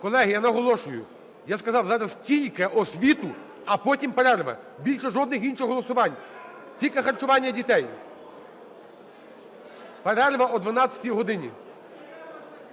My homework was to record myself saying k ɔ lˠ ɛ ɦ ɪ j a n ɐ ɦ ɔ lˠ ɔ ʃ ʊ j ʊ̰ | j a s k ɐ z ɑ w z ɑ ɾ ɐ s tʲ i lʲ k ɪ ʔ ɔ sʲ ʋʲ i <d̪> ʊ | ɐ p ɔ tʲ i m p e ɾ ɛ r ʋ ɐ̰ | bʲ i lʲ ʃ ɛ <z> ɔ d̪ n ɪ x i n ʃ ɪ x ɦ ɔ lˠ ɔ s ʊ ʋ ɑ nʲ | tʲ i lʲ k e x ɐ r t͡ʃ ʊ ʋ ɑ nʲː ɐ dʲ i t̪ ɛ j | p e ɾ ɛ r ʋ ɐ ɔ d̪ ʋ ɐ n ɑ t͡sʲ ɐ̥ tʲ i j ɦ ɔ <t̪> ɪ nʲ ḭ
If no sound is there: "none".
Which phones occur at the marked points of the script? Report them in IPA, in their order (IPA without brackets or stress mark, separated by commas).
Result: t̪, ʒ, d̪